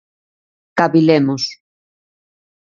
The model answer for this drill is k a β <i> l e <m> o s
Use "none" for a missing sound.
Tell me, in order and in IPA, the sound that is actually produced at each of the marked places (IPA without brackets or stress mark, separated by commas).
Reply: i, m